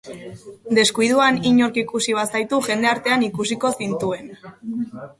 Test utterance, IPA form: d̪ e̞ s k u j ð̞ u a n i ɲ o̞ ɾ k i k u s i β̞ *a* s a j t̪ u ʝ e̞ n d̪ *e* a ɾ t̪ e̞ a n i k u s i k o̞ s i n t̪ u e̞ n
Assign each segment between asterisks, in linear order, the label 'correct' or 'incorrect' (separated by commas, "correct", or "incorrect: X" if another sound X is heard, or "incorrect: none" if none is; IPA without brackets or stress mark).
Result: correct, correct